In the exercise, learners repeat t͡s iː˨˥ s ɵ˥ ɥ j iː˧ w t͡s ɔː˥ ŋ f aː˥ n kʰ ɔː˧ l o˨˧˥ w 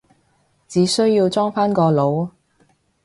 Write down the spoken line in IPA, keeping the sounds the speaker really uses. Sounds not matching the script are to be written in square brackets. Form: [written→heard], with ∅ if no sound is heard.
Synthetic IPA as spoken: t͡s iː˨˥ s ɵ˥ ɥ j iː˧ w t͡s ɔː˥ ŋ f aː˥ n [kʰ→k] ɔː˧ l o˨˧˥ w